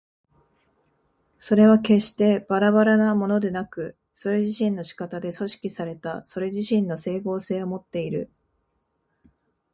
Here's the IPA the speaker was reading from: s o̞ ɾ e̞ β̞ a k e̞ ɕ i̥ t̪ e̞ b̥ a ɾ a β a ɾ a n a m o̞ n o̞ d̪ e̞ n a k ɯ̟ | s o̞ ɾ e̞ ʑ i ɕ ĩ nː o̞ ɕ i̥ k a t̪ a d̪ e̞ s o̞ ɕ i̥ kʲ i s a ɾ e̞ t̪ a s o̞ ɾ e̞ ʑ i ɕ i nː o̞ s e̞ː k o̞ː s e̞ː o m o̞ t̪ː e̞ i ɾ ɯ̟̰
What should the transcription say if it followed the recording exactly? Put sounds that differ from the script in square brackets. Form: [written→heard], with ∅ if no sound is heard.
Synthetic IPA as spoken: s o̞ ɾ e̞ β̞ a k e̞ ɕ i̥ t̪ e̞ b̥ a ɾ a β a ɾ a n a m o̞ n o̞ d̪ e̞ n a k ɯ̟ | s o̞ ɾ e̞ ʑ i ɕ ĩ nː o̞ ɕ i̥ k a t̪ a d̪ e̞ s o̞ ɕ i̥ kʲ i s a ɾ e̞ t̪ a s o̞ ɾ e̞ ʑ i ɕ [i→ĩ] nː o̞ s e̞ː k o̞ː s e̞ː o m o̞ t̪ː e̞ i ɾ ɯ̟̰